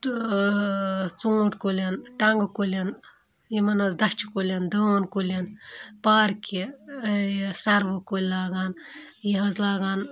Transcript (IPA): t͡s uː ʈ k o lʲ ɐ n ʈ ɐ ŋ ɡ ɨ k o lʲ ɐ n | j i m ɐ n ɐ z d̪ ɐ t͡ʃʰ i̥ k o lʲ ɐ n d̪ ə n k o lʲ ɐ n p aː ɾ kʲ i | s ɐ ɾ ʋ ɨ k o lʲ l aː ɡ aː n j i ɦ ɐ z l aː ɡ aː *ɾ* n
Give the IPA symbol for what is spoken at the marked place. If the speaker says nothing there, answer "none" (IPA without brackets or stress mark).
none